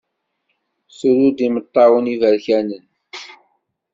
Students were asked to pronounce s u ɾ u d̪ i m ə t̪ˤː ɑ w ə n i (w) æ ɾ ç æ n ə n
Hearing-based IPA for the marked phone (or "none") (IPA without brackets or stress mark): v